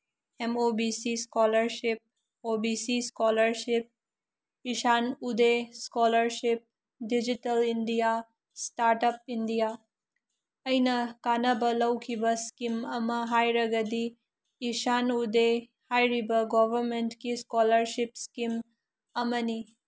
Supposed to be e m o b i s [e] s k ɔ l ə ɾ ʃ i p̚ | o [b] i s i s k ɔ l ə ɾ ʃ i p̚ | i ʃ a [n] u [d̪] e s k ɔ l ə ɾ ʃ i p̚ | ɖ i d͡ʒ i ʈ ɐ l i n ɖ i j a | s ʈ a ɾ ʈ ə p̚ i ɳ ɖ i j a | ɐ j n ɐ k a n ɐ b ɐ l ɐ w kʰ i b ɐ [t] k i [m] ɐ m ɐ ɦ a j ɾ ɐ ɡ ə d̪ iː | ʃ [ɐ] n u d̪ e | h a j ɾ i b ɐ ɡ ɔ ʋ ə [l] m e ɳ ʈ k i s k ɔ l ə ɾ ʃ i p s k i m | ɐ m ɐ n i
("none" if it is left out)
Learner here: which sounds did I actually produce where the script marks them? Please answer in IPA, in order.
i, b, n, d̪, s, m, a, ɾ

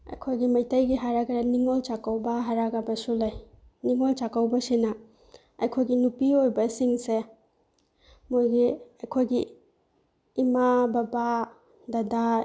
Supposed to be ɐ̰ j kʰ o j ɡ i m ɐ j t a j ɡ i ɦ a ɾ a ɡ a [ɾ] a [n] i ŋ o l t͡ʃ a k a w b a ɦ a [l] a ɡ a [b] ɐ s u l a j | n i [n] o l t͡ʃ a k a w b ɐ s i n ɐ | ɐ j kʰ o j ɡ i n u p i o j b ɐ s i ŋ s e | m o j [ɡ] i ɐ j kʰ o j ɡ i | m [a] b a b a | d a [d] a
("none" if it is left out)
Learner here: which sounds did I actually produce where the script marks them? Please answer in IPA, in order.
ɾ, n, ɾ, b, ŋ, ɡ, a, d

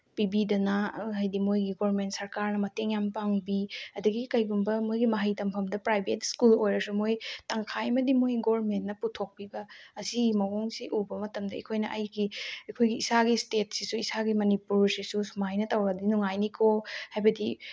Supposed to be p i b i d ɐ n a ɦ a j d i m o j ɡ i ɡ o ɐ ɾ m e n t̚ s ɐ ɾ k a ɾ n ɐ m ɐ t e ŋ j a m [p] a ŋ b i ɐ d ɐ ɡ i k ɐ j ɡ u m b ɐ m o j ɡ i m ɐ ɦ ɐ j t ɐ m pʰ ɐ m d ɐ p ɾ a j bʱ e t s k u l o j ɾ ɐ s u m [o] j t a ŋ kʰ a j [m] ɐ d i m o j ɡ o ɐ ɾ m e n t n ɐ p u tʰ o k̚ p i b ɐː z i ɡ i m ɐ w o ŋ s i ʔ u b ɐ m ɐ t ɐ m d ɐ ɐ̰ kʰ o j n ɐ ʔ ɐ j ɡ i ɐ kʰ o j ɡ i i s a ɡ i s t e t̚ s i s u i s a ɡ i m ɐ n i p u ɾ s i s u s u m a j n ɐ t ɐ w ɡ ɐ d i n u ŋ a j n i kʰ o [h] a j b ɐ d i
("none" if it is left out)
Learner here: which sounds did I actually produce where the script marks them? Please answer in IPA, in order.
p, o, m, h

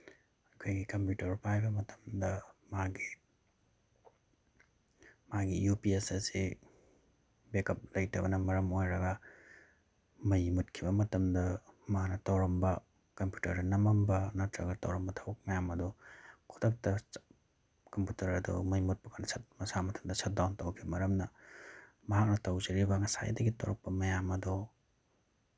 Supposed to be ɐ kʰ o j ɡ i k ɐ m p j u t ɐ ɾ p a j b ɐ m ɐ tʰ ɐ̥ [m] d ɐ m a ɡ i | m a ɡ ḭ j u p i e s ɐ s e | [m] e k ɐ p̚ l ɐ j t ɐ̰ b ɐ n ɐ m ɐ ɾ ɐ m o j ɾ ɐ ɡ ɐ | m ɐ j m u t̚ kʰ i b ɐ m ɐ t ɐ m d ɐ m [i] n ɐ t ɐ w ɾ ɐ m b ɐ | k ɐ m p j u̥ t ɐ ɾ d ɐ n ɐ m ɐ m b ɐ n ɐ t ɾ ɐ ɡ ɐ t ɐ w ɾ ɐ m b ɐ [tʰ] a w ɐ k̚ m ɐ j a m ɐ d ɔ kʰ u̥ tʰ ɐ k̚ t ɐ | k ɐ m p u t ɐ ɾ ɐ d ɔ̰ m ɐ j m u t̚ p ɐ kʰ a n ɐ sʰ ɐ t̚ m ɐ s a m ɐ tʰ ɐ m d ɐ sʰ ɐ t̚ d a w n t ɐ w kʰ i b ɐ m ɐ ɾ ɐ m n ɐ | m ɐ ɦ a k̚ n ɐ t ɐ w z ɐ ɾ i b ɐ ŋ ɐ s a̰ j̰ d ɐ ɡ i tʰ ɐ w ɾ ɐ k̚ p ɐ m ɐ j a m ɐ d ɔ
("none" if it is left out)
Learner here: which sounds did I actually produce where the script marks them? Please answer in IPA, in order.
m, b, a, tʰ

